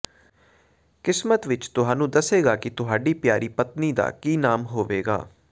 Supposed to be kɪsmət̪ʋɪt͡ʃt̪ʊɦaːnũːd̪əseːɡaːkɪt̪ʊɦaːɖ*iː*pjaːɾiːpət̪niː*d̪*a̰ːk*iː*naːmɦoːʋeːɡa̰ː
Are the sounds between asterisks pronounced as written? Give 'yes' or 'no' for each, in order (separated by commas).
yes, yes, yes